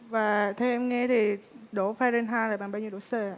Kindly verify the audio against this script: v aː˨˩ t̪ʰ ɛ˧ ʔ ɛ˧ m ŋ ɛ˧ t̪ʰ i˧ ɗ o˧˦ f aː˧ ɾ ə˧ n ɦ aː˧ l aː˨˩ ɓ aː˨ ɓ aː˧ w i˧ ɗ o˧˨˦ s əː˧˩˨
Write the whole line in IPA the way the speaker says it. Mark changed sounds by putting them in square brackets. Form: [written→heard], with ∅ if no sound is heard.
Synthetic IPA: v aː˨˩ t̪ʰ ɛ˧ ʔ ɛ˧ m ŋ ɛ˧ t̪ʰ [i˧→i˨˩] ɗ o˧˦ f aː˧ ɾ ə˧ n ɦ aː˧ l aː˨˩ ɓ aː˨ ɓ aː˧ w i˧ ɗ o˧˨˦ s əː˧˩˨